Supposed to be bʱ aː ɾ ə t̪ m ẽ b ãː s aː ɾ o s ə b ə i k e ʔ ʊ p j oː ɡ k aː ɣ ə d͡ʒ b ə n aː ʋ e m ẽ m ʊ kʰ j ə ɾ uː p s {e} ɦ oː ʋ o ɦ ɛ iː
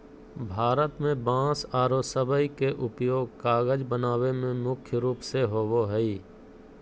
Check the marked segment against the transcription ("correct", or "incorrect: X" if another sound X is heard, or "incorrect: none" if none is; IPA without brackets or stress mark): correct